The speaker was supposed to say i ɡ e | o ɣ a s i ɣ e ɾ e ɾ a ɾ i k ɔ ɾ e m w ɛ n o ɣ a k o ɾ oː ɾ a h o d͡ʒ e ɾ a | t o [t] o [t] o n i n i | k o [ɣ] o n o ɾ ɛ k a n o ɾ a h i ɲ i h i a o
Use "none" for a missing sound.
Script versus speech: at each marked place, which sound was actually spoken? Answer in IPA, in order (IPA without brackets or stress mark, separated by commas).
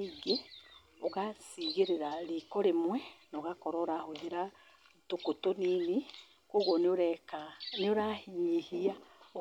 k, t, ɣ